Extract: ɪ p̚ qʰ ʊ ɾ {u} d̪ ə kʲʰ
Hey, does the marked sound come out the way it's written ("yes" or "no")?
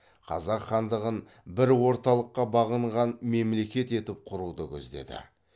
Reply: yes